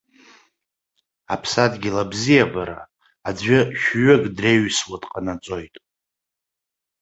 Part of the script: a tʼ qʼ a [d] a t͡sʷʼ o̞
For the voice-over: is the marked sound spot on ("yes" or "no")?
no